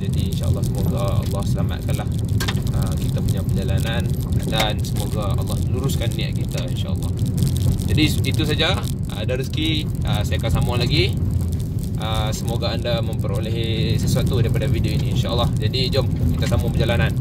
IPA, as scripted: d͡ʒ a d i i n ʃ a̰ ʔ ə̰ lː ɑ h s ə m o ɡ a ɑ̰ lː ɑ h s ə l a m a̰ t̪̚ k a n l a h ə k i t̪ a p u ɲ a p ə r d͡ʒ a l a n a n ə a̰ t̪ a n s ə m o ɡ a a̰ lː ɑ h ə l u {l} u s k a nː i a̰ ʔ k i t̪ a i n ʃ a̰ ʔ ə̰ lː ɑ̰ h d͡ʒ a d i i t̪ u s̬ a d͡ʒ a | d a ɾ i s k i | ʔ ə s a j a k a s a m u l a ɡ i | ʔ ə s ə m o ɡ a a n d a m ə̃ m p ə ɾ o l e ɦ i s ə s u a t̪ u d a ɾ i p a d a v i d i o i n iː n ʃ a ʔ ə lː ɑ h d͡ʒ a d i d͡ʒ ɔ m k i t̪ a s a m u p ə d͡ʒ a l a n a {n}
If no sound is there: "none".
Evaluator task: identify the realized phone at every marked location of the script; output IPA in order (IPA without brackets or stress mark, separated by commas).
ɾ, n